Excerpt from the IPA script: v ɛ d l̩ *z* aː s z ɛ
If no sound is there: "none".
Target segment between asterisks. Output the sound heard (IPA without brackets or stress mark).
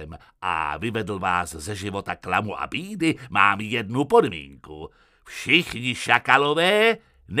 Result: v